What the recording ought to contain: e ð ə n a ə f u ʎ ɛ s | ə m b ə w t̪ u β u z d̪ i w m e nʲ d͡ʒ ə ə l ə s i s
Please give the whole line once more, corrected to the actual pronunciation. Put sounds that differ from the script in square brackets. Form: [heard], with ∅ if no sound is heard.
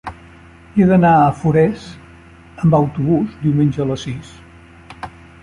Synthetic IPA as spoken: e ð ə n a ə f u [ɾ] ɛ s | ə m b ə w t̪ u β u z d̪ i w m e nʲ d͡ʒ ə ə l ə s i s